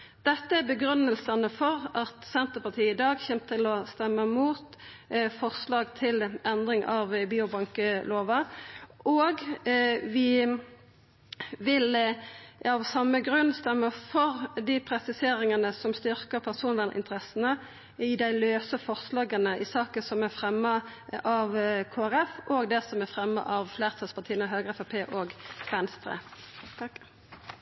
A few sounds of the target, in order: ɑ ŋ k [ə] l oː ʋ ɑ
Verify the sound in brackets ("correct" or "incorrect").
correct